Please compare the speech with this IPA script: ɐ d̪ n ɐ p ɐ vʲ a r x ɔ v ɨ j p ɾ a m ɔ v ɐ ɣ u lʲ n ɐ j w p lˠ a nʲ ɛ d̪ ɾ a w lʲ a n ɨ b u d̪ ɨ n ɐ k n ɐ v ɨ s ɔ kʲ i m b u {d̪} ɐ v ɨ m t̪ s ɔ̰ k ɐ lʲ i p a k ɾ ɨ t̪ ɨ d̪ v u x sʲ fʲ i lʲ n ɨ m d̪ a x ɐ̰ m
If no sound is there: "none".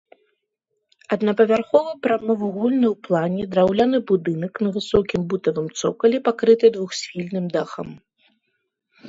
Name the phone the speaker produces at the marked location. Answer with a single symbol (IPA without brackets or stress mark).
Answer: t̪